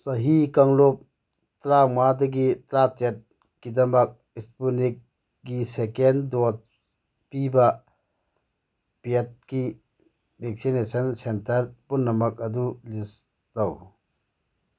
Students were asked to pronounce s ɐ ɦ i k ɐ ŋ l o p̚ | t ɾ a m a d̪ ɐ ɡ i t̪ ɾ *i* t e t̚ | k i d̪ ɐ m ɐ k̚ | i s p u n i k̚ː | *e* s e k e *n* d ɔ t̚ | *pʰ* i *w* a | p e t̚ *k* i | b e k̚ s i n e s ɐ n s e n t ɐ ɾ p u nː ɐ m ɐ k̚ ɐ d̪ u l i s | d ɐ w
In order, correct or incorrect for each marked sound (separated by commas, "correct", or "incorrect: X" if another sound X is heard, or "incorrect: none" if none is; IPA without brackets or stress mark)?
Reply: incorrect: a, incorrect: i, correct, incorrect: p, incorrect: b, correct